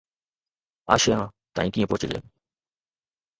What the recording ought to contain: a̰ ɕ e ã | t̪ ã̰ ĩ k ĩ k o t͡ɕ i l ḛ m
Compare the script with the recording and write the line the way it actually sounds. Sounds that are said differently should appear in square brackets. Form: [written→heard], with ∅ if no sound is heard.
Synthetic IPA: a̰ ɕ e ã | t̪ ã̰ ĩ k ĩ [k→p] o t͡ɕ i l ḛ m